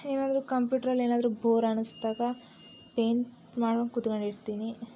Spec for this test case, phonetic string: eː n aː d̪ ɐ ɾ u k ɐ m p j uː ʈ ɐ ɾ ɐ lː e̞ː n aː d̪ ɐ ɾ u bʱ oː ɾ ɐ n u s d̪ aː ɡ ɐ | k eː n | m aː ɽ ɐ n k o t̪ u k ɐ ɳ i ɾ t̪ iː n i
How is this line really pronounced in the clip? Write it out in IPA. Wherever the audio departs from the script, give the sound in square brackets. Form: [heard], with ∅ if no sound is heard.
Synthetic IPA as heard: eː n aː d̪ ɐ ɾ u k ɐ m p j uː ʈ ɐ ɾ ɐ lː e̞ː n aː d̪ ɐ ɾ u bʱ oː ɾ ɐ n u s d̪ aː ɡ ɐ | [p] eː n | m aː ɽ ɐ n k [u] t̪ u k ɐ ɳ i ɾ t̪ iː n i